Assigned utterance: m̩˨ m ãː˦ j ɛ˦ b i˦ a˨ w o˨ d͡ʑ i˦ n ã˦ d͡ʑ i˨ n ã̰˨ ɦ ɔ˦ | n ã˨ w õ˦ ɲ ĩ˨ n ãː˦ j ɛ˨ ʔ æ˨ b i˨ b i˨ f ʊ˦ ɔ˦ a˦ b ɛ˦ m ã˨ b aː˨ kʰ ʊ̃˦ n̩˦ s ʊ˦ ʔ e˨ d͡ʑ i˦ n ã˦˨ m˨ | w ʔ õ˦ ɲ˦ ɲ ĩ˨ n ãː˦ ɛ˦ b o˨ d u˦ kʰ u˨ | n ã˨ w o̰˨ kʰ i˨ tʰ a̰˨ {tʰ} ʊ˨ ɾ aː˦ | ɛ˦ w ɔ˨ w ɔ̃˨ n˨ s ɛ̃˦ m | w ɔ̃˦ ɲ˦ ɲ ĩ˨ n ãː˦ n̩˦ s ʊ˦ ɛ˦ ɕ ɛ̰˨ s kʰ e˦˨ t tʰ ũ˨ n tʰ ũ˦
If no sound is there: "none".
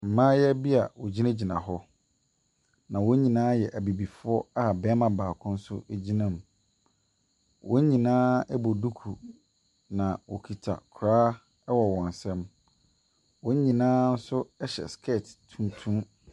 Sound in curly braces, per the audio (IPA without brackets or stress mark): kʰ